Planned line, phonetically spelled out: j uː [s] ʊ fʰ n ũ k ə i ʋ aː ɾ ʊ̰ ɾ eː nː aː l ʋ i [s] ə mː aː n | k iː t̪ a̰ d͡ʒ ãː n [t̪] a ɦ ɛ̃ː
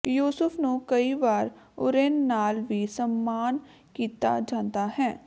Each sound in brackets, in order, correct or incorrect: correct, correct, correct

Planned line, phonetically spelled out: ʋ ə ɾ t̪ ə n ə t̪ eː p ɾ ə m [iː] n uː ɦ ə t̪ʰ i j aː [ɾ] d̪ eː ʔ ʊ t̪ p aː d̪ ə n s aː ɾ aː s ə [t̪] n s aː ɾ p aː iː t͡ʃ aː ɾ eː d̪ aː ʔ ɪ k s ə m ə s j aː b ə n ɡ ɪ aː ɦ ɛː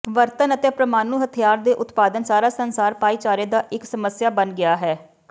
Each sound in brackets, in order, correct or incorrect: incorrect: aː, correct, incorrect: none

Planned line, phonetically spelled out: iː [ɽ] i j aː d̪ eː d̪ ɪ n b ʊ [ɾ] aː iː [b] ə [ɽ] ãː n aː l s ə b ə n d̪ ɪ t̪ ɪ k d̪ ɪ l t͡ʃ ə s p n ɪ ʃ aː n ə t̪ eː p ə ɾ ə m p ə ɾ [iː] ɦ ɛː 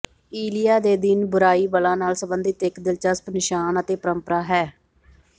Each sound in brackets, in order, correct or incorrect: incorrect: l, correct, correct, incorrect: l, incorrect: aː

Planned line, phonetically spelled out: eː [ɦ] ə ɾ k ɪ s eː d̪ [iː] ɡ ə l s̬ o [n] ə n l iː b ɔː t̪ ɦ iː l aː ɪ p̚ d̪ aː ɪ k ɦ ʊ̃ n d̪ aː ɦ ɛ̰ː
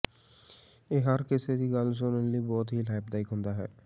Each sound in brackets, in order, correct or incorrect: correct, correct, correct

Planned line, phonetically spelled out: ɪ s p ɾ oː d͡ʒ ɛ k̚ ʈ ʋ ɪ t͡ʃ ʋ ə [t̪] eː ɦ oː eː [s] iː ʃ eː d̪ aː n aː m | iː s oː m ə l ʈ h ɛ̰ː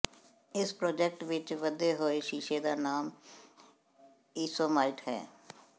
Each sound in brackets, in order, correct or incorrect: incorrect: d̪, incorrect: ʃ

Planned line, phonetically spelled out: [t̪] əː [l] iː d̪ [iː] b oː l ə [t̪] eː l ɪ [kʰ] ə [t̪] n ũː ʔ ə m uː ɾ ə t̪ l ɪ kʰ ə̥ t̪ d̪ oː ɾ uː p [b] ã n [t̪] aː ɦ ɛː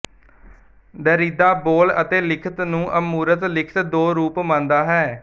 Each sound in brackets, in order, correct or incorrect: incorrect: d̪, incorrect: ɾ, incorrect: aː, correct, correct, correct, incorrect: m, incorrect: d̪

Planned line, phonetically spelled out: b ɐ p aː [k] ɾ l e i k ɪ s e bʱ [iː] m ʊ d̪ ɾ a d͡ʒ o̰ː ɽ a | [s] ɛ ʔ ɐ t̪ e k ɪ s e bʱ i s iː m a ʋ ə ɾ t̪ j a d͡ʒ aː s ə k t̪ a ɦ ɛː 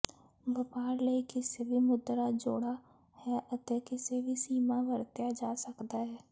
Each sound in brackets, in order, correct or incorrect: incorrect: none, incorrect: i, incorrect: h

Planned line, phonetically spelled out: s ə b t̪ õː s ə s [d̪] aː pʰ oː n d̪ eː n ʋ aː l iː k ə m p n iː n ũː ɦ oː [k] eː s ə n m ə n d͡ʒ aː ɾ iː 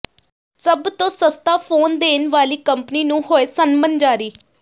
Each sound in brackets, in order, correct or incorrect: incorrect: t̪, incorrect: none

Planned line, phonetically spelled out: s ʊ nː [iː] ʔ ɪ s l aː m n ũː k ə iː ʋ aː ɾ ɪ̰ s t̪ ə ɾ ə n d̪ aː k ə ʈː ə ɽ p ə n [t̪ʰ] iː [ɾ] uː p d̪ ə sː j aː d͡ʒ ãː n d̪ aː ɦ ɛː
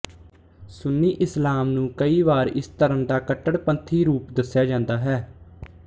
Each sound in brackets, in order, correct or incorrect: correct, correct, correct

